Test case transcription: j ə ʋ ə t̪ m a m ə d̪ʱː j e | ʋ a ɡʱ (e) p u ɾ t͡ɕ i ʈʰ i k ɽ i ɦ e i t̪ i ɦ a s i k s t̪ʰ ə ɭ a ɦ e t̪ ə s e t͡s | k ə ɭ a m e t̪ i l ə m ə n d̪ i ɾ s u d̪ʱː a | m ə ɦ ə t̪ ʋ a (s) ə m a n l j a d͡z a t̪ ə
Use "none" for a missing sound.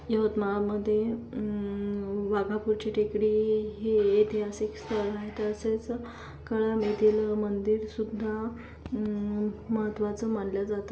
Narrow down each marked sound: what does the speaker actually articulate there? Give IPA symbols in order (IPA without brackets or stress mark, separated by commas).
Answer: a, t͡s